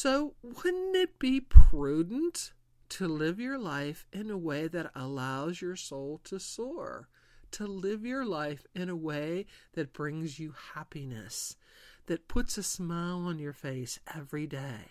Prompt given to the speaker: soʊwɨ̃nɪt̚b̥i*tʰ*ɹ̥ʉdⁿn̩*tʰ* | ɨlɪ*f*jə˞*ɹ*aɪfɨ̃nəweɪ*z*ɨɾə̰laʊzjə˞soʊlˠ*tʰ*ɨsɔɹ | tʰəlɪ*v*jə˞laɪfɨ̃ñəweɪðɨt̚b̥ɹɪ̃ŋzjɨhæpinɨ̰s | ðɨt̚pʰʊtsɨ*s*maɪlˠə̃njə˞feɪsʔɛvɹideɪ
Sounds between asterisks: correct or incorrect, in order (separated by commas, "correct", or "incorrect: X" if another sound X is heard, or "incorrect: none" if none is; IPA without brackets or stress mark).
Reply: incorrect: pʰ, correct, incorrect: v, incorrect: l, incorrect: ð, correct, correct, correct